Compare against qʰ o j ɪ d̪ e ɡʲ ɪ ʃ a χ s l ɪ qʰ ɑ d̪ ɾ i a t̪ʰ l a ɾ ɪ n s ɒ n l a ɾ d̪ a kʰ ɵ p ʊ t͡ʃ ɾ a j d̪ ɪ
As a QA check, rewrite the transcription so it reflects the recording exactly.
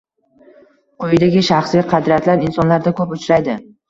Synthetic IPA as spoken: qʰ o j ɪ d̪ a ɡʲ ɪ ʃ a χ s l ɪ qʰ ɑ d̪ ɾ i a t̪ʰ l a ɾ ɪ n s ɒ n l a ɾ d̪ a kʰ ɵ p ʊ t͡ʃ ɾ a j d̪ ɪ